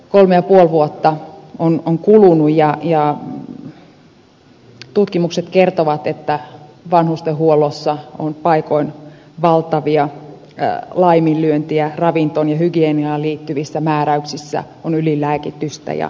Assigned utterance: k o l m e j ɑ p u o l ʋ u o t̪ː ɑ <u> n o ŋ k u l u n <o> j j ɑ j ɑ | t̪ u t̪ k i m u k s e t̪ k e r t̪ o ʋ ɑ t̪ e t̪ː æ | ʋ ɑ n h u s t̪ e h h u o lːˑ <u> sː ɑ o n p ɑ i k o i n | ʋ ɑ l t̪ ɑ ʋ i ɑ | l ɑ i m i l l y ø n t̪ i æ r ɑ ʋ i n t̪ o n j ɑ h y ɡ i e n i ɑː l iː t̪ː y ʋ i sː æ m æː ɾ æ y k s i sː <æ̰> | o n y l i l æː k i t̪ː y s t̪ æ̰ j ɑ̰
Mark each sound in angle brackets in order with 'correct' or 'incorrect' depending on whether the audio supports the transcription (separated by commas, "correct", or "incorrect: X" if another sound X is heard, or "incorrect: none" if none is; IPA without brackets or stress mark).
incorrect: o, incorrect: u, incorrect: o, correct